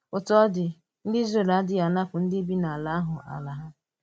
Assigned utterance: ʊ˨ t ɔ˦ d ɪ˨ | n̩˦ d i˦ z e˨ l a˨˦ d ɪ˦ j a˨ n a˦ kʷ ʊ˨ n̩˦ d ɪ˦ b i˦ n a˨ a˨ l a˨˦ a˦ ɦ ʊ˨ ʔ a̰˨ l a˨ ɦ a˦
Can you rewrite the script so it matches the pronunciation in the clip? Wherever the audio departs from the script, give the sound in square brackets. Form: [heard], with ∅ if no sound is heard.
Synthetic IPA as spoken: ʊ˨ t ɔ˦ d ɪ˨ | n̩˦ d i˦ z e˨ l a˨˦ d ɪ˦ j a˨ n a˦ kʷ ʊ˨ n̩˦ d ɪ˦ b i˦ n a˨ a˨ l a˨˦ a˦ ɦ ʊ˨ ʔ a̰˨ l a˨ ɦ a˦